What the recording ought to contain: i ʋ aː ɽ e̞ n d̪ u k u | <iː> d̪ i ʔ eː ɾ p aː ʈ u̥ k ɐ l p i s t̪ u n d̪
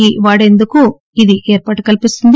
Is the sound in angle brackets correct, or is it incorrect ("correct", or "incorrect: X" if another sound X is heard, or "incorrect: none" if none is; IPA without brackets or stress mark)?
incorrect: i